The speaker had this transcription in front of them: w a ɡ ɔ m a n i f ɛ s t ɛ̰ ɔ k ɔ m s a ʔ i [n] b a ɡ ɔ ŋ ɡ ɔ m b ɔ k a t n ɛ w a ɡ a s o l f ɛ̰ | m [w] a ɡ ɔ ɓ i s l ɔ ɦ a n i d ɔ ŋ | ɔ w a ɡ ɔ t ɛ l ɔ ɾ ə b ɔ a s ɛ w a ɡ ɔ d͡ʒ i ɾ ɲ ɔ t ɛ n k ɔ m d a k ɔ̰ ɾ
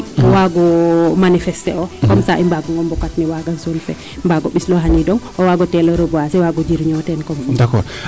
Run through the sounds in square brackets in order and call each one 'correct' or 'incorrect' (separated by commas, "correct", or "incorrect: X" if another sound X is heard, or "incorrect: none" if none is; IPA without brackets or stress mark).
incorrect: m, incorrect: b